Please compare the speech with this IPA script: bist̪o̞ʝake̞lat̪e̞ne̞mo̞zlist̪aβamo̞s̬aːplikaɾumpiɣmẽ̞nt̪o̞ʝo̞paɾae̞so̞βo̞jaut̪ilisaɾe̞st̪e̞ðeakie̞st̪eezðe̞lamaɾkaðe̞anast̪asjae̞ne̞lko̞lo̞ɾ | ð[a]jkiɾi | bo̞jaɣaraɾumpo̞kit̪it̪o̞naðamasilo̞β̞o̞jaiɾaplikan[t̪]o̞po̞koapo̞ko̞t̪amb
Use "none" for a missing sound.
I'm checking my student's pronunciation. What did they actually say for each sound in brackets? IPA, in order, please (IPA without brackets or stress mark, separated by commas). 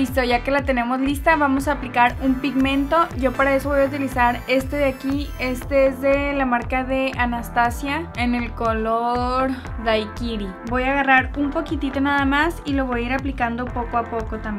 a, d̪